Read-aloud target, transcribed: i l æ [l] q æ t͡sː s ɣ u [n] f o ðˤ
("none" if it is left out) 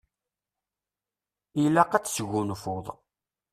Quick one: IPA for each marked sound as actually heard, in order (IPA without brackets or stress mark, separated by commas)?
none, n